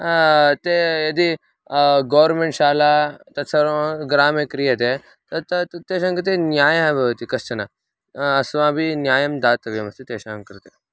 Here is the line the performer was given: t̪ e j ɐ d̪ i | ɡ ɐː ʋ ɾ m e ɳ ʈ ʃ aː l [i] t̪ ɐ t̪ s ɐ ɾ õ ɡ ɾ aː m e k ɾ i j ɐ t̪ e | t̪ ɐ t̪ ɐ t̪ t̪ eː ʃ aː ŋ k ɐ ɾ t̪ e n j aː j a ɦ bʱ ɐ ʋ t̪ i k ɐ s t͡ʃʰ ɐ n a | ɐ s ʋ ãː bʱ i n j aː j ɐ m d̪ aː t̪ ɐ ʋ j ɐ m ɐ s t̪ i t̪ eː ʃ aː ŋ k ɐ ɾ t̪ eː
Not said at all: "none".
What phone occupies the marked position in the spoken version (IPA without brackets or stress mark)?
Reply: a